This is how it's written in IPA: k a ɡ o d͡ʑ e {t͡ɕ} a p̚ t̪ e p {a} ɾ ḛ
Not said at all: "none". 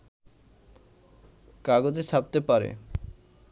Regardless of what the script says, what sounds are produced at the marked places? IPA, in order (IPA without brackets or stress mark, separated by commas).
t͡ɕʰ, a